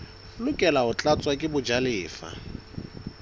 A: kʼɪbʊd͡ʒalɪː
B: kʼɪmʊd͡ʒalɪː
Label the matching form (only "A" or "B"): A